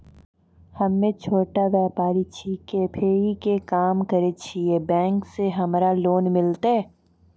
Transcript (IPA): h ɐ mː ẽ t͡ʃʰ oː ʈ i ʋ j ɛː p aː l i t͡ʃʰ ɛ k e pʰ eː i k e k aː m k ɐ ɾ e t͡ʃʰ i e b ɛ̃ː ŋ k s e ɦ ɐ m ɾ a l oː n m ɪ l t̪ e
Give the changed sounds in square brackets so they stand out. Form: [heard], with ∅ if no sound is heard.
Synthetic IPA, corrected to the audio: h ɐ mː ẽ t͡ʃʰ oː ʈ [a] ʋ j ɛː p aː [ɾ] i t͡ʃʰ [i] k e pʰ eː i k e k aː m k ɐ ɾ e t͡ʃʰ i e b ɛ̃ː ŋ k s e ɦ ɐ m ɾ a l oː n m ɪ l t̪ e